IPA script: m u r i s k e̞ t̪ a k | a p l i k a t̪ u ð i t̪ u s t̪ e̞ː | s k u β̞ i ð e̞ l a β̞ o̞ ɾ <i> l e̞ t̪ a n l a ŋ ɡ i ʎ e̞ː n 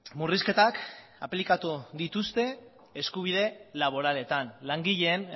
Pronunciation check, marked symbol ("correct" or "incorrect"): incorrect